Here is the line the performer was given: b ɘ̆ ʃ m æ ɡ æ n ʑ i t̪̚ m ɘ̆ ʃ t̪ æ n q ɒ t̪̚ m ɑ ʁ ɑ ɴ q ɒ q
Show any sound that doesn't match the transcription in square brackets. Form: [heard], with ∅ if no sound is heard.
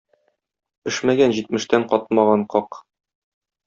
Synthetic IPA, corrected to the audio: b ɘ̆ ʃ m æ ɡ æ n ʑ i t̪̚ m ɘ̆ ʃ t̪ æ [ɴ] q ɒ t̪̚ m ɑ ʁ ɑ ɴ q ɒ q